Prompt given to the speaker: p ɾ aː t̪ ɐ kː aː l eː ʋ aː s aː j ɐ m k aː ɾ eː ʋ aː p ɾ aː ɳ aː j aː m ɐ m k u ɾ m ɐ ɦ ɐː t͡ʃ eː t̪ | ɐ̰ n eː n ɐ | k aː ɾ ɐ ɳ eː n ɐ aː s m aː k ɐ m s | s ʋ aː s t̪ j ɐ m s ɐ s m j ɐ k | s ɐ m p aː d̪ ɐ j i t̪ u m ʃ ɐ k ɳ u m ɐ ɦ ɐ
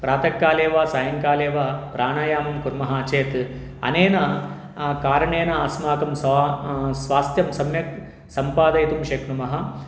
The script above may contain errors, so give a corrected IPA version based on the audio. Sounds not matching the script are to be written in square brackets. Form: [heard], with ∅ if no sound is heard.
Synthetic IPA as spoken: p ɾ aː t̪ ɐ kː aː l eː ʋ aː s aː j ɐ [ŋ] k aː [l] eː ʋ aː p ɾ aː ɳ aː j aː m ɐ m k u ɾ m ɐ ɦ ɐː t͡ʃ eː t̪ | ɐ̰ n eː n ɐ | k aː ɾ ɐ ɳ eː n ɐ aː s m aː k ɐ m s | s ʋ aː s t̪ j ɐ m s ɐ [∅] m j ɐ k | s ɐ m p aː d̪ ɐ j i t̪ u m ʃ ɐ k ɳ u m ɐ ɦ ɐ